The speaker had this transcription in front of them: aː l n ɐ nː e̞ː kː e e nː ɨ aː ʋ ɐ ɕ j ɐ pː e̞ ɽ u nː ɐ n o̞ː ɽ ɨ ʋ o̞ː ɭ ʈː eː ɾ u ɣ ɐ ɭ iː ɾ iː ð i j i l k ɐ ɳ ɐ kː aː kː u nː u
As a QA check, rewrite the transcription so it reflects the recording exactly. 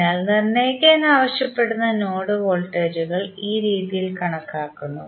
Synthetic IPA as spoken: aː l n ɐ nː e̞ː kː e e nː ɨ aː ʋ ɐ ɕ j ɐ pː e̞ ɽ u nː ɐ n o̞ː ɽ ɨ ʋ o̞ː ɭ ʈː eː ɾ u ɣ ɐ ɭ iː ɾ iː ð i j i l k ɐ ɳ ɐ kː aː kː u nː u